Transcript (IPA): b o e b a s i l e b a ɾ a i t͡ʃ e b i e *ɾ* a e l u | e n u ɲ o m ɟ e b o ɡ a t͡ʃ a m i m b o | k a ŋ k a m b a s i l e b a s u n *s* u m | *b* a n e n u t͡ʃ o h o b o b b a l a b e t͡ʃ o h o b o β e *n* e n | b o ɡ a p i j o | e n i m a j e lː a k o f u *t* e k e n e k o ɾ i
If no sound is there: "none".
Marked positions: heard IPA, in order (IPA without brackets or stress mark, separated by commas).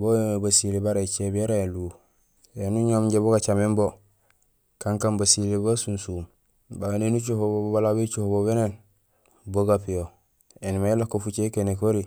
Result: ɾ, s, b, n, t͡ʃ